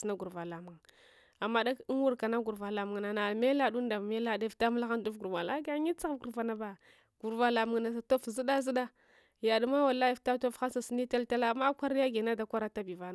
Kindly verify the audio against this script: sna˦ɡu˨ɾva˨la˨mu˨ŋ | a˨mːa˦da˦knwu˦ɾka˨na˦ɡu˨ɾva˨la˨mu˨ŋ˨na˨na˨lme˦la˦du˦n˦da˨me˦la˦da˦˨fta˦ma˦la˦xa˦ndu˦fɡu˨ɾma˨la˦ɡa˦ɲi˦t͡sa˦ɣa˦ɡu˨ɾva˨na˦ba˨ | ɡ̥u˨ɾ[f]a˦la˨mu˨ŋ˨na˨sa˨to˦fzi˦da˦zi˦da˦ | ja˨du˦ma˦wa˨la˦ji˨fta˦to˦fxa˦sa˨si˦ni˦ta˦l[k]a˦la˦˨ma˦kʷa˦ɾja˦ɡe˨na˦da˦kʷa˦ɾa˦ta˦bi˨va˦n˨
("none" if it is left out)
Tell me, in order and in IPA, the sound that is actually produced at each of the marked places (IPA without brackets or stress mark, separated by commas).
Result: v, t